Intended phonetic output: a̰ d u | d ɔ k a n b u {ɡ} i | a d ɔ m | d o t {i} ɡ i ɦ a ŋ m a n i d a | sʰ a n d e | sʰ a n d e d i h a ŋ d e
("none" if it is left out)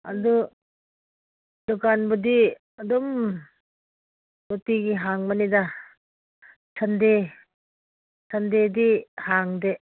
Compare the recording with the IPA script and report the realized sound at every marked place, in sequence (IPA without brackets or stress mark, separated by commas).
d, i